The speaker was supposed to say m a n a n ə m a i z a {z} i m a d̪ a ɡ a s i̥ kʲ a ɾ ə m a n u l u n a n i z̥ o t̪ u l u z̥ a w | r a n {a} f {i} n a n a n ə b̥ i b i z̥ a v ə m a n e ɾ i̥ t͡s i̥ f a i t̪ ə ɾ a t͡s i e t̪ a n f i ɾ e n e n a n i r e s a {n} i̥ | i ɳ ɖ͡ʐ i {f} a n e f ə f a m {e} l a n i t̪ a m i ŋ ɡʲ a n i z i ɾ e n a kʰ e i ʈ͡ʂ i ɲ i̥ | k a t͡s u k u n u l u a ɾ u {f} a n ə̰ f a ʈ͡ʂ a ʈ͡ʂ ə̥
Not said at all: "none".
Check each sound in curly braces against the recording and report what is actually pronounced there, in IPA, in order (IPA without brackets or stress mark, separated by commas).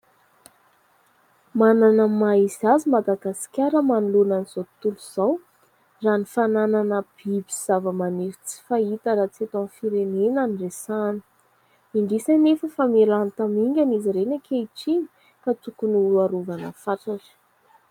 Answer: z, i, a, n, s, e, v